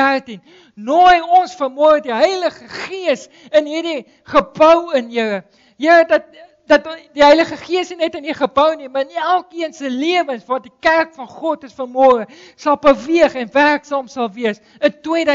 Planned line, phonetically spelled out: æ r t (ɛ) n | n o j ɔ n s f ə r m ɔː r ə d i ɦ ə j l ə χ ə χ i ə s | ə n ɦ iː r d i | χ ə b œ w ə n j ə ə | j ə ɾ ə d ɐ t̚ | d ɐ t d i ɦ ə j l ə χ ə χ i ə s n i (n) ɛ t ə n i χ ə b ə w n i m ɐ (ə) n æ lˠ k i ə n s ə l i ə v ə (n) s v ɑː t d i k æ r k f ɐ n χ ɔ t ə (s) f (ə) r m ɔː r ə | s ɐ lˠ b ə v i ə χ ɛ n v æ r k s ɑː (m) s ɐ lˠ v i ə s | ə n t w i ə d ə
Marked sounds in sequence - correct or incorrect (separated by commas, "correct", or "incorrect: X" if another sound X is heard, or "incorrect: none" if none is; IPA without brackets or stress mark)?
incorrect: i, correct, correct, correct, correct, correct, correct